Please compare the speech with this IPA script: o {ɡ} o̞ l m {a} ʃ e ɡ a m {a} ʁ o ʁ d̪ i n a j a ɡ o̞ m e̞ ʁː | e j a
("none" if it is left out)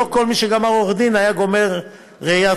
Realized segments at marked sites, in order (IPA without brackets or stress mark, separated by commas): k, i, a